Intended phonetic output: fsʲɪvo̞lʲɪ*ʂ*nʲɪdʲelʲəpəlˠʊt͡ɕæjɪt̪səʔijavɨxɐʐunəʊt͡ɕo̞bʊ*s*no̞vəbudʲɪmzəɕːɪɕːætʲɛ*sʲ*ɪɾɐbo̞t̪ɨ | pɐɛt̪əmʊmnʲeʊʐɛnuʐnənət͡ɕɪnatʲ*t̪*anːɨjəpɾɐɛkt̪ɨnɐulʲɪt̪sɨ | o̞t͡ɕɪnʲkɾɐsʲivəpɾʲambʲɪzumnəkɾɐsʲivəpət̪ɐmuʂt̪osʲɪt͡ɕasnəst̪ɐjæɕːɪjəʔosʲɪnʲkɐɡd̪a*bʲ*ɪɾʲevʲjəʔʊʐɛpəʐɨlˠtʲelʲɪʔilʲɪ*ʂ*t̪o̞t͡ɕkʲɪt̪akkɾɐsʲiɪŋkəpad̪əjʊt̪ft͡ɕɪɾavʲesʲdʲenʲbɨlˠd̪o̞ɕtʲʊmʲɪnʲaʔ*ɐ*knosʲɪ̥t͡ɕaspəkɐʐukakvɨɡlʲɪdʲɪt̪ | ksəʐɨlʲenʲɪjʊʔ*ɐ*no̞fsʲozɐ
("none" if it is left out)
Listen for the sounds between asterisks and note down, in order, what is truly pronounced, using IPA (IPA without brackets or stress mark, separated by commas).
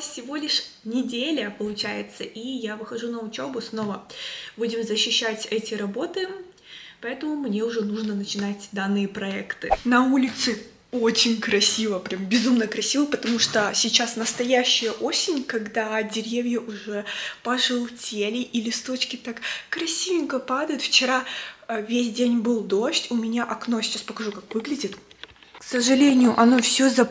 ʂ, s, tʲ, d̪, dʲ, s, ɐ, ɐ